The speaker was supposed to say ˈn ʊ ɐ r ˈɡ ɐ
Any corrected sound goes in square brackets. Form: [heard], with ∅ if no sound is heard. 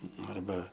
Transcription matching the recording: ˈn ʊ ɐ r [ˈb] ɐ